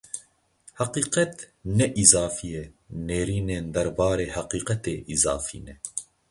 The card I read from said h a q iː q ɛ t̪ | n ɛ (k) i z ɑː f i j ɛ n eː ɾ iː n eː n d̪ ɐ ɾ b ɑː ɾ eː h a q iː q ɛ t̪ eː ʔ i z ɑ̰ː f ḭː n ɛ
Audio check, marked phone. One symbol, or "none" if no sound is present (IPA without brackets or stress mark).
ʔ